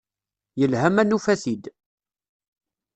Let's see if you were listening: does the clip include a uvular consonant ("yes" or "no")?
no